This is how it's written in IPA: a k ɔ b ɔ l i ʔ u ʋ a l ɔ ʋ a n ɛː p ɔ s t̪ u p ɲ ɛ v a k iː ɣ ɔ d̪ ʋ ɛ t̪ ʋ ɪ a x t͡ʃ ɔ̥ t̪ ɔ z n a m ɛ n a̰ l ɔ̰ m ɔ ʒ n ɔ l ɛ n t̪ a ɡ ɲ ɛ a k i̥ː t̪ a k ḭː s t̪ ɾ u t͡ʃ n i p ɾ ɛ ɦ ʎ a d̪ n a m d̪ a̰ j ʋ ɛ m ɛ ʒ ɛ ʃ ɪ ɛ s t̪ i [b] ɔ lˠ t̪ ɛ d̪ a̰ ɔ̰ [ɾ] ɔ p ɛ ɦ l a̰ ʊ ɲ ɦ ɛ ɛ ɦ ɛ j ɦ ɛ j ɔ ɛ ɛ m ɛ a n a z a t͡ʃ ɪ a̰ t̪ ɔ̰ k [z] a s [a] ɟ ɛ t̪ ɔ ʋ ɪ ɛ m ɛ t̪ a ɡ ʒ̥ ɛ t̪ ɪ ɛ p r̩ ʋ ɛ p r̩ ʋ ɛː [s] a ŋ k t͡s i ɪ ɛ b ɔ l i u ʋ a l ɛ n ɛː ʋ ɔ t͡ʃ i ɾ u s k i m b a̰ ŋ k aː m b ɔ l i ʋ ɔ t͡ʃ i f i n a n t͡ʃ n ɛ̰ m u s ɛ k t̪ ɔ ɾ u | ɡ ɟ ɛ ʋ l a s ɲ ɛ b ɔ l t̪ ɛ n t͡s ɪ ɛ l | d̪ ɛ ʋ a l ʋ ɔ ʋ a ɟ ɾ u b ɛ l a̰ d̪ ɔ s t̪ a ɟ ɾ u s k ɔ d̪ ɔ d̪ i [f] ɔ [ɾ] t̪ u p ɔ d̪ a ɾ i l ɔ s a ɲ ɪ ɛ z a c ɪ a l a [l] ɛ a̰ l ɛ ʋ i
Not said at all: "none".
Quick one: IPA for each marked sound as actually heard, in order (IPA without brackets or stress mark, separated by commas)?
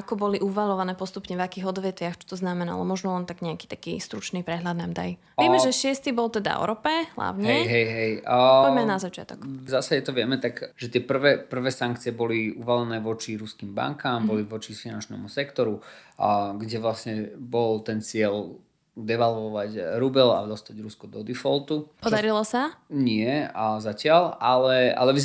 b, ɾ, z, a, s, f, l, l